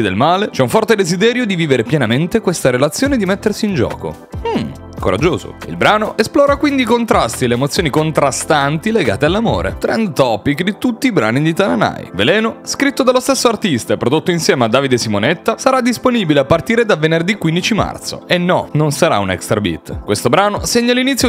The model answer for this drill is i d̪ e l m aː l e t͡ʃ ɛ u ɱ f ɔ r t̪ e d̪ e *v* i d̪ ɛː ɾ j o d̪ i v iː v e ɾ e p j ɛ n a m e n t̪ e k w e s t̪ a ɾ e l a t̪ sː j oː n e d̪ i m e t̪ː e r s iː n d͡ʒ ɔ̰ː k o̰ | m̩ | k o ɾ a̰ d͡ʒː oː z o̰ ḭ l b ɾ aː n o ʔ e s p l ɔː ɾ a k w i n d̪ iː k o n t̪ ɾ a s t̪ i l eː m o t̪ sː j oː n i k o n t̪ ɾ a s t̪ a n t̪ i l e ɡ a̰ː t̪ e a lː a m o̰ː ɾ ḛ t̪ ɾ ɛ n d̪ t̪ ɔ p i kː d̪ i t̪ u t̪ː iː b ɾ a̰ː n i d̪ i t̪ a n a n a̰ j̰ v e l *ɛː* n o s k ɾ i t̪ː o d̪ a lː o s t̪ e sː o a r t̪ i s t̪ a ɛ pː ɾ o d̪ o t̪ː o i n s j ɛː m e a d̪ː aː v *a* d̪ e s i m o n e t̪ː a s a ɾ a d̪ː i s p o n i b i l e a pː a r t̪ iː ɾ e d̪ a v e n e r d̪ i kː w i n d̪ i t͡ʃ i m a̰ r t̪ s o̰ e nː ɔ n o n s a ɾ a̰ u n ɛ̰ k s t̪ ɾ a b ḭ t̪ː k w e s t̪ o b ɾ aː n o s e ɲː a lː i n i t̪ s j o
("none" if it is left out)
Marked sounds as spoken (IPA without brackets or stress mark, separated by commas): z, ɛː, i